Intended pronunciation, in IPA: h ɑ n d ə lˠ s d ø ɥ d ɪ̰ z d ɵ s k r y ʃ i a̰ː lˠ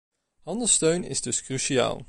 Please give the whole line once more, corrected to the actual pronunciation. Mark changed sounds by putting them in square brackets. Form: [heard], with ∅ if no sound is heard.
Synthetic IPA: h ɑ n d ə lˠ s [t] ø ɥ [n] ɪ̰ z d ɵ s k r y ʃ i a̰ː lˠ